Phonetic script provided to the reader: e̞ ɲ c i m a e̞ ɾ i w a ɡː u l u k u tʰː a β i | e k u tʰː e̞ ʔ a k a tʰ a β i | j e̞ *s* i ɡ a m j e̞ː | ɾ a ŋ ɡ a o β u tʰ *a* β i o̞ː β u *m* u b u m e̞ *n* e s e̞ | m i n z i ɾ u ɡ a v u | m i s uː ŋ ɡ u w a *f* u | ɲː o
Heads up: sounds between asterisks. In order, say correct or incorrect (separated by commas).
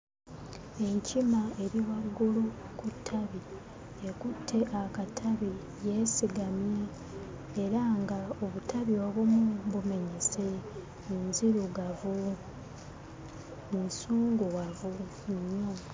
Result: correct, correct, correct, incorrect, incorrect